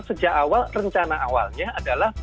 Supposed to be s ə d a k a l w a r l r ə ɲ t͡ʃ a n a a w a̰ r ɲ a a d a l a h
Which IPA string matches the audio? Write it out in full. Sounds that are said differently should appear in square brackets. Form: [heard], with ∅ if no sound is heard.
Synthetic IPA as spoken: s ə [d͡ʒ] a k a [∅] w a [∅] l r ə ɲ t͡ʃ a n a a w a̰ [l] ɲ a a d a l a h